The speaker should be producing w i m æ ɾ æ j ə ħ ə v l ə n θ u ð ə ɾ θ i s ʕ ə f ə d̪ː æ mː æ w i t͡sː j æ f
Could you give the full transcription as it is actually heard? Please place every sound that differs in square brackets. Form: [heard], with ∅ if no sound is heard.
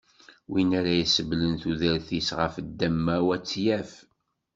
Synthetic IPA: w i [n] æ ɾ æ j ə [s] ə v l ə n θ u ð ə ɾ θ i s [ʁ] ə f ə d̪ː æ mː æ w [æ] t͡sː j æ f